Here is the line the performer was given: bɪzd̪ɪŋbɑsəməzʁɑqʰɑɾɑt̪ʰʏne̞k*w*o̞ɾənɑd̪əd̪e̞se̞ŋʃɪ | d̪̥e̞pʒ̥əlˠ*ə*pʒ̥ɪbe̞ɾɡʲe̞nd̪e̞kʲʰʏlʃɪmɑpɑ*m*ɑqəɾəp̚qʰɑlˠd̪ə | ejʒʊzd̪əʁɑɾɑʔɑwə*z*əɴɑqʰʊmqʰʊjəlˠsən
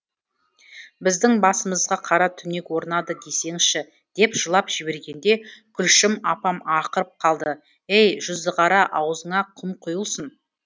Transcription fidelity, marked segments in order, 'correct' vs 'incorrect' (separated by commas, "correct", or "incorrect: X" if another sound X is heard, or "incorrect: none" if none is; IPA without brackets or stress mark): correct, incorrect: ɑ, correct, correct